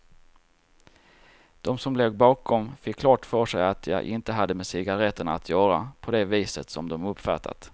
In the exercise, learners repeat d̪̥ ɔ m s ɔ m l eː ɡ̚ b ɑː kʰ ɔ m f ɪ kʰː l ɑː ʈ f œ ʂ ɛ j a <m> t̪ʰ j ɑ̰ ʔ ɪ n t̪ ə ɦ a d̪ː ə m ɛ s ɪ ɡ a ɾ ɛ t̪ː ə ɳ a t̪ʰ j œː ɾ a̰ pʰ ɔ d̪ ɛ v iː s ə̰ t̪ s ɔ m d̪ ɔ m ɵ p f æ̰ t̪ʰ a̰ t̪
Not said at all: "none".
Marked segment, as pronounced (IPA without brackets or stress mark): none